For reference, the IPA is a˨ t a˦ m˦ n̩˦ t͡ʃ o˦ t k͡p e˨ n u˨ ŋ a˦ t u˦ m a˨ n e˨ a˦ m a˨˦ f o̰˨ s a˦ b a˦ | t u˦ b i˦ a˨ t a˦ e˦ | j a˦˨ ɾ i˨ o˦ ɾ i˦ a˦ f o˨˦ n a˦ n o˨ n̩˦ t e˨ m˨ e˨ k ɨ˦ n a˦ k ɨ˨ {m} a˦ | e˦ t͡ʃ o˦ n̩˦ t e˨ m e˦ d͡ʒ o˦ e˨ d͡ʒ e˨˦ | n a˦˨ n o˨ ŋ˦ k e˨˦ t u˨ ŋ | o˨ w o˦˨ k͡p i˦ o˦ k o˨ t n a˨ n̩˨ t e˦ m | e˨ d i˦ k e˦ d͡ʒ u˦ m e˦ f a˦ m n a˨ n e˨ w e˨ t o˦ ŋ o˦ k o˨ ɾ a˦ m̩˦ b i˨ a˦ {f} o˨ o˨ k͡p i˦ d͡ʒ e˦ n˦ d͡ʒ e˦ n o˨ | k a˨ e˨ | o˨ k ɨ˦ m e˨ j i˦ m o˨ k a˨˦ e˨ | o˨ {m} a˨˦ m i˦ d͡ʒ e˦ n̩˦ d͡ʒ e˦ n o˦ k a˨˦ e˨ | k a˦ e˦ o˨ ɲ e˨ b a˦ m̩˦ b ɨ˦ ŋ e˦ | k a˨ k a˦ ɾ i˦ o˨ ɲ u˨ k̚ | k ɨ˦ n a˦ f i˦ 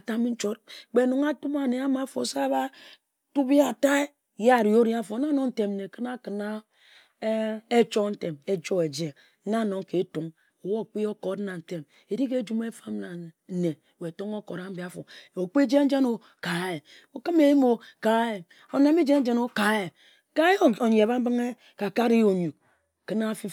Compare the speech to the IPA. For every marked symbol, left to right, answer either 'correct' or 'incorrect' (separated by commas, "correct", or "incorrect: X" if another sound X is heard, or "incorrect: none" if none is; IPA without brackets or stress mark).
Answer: incorrect: n, correct, incorrect: n